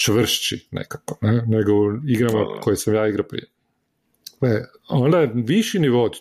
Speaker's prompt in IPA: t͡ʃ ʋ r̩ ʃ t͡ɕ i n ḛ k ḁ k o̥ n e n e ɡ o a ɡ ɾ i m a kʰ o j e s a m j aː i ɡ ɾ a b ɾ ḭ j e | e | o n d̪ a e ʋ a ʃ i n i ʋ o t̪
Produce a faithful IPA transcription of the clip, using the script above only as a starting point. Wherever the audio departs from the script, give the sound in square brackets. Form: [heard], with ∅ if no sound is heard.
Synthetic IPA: t͡ʃ ʋ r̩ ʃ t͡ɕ i n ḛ k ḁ k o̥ n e n e ɡ o [i] ɡ ɾ [a] m a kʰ o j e s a m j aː i ɡ ɾ a [p] ɾ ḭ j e | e | o n d̪ a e ʋ [i] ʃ i n i ʋ o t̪